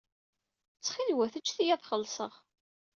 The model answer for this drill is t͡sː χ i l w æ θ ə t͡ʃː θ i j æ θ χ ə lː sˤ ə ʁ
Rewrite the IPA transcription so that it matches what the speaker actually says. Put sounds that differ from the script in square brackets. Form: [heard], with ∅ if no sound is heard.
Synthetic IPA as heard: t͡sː χ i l w æ θ ə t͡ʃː θ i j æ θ χ ə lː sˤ ə ʁ